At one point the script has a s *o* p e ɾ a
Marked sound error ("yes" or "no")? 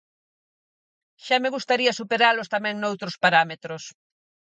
yes